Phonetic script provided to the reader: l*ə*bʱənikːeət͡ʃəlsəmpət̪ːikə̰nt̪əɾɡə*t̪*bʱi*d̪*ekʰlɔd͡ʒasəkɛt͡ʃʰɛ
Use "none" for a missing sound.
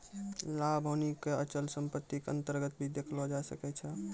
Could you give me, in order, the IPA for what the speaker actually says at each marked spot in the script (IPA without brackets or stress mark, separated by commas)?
a, t̪, d̪